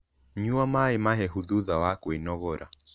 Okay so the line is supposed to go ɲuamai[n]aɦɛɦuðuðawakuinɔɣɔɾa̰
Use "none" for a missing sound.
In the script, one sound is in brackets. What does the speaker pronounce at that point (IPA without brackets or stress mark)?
m